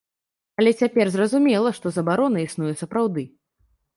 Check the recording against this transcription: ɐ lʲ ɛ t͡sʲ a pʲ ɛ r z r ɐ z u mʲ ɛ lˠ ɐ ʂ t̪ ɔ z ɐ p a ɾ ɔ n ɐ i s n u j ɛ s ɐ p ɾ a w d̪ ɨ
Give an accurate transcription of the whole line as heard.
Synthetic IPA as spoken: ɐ lʲ ɛ t͡sʲ a pʲ ɛ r z r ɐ z u mʲ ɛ lˠ ɐ ʂ t̪ ɔ z ɐ b a ɾ ɔ n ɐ i s n u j ɛ s ɐ p ɾ a w d̪ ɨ